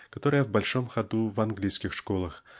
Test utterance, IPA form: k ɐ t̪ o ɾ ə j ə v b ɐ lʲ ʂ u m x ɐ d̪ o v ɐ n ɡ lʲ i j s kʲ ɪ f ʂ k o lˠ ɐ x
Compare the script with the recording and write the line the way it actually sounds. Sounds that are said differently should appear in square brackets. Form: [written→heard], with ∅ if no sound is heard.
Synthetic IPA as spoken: k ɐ t̪ o ɾ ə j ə v b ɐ lʲ ʂ [u→o] m x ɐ d̪ [o→u] v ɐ n ɡ lʲ i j s kʲ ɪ [f→x] ʂ k o lˠ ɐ x